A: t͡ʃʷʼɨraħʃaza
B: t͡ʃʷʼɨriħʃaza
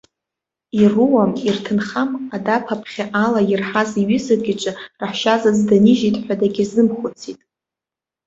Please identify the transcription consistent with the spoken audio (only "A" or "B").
A